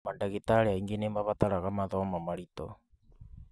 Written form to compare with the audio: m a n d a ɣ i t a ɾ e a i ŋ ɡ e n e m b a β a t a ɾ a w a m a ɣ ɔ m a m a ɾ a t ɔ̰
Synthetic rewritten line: m a n d a ɣ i t a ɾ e a i ŋ ɡ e n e m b a β a t a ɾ a ɣ a m a ð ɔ m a m a ɾ i t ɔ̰